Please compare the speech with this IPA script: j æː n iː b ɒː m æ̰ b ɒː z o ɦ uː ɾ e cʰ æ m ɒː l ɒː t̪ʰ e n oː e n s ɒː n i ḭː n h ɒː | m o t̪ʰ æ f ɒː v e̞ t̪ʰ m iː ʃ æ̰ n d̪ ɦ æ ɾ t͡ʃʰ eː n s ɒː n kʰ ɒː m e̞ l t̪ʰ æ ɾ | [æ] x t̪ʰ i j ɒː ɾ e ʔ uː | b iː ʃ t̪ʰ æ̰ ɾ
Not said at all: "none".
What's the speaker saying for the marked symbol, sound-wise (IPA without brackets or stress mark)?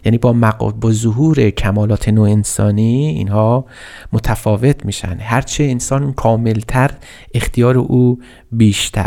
e